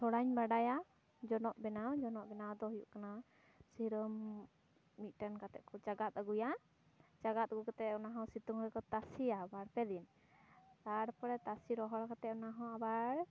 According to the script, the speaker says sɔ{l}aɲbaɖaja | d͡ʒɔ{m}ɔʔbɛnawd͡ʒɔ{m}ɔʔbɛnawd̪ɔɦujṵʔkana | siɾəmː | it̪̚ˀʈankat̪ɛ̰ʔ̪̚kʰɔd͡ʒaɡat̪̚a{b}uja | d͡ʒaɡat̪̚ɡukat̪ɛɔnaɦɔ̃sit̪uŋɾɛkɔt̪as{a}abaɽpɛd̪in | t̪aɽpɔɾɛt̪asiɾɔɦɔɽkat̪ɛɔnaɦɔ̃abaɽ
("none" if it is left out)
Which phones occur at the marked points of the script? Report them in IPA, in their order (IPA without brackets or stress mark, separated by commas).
ɽ, n, n, ɡ, i